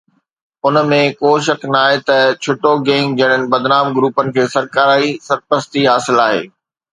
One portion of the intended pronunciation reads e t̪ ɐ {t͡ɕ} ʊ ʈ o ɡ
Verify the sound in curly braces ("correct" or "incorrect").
incorrect